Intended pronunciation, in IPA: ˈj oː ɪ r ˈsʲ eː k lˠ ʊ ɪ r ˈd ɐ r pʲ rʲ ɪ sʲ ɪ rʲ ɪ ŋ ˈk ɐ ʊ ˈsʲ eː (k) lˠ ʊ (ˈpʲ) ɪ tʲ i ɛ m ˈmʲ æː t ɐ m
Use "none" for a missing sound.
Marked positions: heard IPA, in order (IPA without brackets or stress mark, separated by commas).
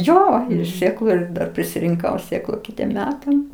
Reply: k, kʲ